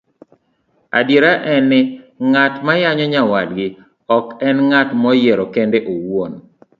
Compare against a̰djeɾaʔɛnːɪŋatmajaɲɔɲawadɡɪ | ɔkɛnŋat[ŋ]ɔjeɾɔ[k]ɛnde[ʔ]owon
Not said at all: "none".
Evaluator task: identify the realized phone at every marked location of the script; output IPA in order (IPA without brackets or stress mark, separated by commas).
m, k, ʔ